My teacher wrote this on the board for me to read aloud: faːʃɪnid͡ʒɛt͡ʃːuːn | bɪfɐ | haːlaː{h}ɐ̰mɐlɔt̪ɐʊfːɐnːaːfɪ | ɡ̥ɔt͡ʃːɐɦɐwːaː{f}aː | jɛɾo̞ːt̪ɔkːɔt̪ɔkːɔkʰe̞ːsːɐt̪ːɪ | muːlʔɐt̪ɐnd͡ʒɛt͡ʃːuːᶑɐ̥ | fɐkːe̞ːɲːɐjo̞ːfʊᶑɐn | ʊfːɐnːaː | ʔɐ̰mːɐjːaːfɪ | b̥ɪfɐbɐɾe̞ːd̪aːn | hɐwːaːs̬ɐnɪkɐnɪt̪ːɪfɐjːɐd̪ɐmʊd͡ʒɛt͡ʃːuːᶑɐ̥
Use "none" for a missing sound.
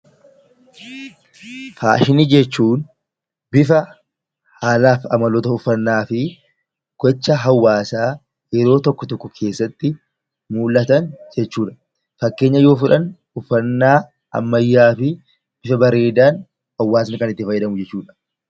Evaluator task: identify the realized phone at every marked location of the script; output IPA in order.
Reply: f, s

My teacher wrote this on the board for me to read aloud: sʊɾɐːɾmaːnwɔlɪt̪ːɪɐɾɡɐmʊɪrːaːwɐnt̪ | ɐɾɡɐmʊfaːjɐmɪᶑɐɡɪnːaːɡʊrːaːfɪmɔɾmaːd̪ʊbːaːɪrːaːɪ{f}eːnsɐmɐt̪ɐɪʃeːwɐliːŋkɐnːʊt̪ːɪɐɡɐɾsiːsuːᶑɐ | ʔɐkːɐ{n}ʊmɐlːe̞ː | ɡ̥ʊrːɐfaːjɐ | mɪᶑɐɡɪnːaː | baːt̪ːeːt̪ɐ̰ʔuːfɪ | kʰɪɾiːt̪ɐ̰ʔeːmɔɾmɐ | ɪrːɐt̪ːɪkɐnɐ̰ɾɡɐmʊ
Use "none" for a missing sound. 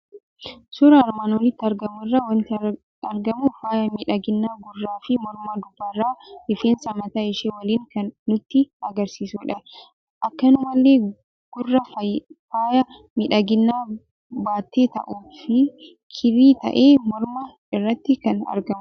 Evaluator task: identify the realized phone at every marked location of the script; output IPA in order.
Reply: f, n

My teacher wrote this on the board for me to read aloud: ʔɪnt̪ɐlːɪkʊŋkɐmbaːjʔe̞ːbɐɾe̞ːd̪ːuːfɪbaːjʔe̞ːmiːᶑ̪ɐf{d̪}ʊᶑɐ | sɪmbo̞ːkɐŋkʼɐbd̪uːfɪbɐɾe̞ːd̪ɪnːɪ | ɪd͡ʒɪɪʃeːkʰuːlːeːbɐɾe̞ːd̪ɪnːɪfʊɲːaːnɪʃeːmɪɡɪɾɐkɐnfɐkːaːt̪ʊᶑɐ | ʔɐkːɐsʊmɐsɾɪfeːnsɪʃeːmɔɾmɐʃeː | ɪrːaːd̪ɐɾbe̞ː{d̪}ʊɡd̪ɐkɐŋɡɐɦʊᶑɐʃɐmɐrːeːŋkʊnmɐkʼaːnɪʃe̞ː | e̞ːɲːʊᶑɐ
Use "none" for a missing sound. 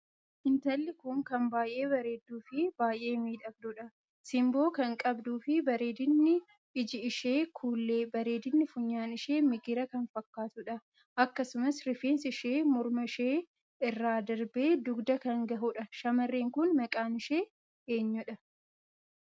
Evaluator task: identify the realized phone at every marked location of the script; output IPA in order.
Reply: d̪, d̪

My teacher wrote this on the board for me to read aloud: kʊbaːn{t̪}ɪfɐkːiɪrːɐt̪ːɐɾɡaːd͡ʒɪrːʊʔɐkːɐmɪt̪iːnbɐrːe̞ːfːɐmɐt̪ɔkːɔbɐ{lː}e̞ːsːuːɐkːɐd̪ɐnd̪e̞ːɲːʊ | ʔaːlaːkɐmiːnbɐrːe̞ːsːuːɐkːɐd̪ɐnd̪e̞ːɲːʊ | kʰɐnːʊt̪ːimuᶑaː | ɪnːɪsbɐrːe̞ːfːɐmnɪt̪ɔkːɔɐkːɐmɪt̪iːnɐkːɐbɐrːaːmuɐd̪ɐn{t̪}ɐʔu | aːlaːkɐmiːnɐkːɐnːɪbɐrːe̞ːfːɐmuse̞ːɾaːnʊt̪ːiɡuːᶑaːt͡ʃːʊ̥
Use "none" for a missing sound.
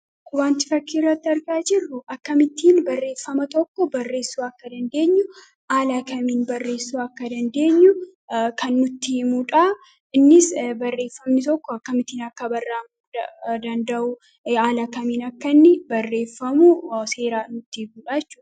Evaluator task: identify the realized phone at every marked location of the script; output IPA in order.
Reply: t̪, rː, d̪

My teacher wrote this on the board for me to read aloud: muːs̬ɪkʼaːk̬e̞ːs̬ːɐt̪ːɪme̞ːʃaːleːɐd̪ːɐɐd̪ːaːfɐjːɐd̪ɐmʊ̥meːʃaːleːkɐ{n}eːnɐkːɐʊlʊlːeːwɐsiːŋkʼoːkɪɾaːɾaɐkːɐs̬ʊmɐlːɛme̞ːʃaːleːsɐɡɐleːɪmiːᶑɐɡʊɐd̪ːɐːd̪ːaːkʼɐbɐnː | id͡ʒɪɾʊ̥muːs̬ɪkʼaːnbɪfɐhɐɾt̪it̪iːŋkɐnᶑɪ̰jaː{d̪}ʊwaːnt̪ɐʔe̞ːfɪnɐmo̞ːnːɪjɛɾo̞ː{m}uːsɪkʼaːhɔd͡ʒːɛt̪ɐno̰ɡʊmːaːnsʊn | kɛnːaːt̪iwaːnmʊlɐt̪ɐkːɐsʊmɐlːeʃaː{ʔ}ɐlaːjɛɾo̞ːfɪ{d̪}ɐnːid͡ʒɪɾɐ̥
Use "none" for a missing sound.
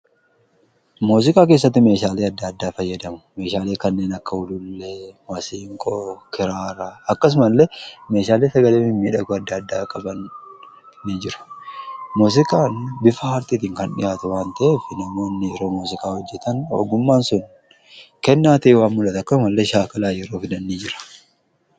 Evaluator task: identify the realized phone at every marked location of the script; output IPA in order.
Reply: nː, t̪, m, k, d̪

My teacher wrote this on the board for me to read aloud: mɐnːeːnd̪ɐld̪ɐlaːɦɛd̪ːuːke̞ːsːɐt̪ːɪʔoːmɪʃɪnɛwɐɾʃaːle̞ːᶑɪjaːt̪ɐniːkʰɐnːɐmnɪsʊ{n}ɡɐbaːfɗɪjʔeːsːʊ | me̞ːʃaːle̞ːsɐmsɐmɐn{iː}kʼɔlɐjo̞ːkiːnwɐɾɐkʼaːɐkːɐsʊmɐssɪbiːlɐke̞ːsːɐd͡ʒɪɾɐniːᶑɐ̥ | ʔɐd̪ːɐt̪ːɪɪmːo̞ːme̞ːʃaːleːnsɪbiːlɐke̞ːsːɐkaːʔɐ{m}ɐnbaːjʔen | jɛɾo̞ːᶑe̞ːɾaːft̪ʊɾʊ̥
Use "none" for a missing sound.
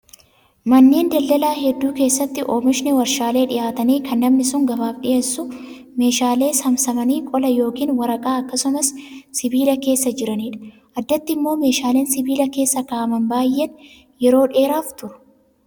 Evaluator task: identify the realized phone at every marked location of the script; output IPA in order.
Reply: ŋ, iː, m

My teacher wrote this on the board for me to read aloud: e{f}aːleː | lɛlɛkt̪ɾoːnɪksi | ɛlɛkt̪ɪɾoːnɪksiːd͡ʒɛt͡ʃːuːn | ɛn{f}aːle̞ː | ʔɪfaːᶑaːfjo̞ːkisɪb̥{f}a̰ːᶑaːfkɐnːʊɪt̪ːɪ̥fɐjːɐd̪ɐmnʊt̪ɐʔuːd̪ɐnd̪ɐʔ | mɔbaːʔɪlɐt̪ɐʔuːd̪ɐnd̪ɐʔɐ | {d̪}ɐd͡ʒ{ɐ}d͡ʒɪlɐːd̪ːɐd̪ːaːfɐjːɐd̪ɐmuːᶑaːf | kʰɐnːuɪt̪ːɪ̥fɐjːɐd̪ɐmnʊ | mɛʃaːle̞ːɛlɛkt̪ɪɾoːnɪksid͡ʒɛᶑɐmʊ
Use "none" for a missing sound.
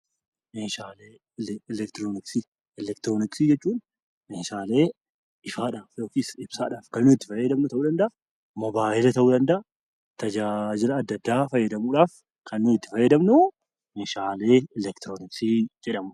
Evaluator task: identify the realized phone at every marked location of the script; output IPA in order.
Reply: ʃ, ʃ, s, t̪, a

